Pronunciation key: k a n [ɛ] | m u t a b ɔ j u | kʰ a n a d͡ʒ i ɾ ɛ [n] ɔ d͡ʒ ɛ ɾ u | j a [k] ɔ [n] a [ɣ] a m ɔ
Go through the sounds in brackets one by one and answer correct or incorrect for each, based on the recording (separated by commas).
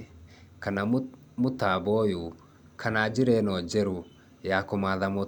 incorrect, correct, correct, incorrect, incorrect